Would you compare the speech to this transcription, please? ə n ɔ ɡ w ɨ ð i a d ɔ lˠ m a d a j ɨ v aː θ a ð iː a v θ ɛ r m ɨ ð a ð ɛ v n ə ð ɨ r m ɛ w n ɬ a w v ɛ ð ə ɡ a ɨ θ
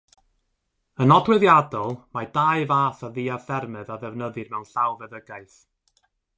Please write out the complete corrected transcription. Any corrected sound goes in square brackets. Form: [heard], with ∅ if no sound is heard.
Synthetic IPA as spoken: ə n ɔ [d] w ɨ ð [j] a d ɔ lˠ m a d a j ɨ v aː θ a ð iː a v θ ɛ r m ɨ ð a ð ɛ v n ə ð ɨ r m ɛ w n ɬ a w v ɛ ð ə ɡ a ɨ θ

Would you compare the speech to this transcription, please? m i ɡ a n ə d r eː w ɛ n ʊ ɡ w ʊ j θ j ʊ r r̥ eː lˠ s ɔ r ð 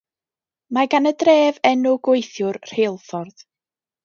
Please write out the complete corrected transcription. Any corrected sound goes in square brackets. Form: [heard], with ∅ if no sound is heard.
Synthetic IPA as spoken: m [a] ɡ a n ə d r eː [v] ɛ n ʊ ɡ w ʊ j θ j ʊ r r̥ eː lˠ [f] ɔ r ð

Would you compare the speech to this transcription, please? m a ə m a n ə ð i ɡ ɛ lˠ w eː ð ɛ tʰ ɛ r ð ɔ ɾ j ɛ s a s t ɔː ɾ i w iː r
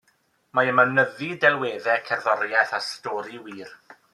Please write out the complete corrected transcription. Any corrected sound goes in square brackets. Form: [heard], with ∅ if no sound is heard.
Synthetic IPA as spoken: m a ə m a n ə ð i [d] ɛ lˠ w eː ð ɛ [kʰ] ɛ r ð ɔ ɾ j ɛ [θ] a s t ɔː ɾ i w iː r

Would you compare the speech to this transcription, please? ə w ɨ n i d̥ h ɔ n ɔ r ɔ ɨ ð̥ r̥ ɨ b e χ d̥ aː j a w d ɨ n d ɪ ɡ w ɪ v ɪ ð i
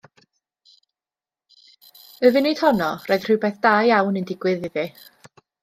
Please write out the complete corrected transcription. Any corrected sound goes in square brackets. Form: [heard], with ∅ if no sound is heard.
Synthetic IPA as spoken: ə [v] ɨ n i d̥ h ɔ n ɔ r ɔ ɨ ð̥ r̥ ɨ b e [θ] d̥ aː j a w [n] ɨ n d ɪ ɡ w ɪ [ð] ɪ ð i

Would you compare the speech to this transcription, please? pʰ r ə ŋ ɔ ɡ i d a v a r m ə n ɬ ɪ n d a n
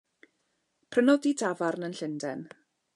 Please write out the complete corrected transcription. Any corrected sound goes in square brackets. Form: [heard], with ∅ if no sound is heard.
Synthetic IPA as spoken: pʰ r ə [n] ɔ [d] i d a v a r [n] ə n ɬ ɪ n d [ɛ] n

